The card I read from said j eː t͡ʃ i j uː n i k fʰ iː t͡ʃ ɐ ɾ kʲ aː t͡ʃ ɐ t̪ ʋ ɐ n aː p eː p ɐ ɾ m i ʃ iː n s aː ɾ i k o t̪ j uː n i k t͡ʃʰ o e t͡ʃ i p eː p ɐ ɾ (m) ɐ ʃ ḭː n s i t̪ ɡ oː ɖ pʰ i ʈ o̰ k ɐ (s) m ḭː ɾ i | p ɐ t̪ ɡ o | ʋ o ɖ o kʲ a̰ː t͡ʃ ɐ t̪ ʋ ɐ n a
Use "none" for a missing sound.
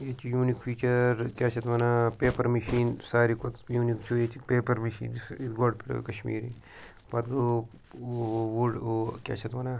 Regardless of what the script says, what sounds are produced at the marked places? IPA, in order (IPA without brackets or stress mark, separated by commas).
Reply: m, ʃ